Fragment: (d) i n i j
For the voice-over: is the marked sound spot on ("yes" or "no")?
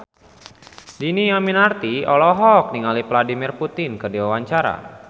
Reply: yes